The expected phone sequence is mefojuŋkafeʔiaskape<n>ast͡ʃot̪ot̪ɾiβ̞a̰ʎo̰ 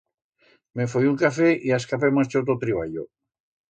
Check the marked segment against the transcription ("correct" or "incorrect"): incorrect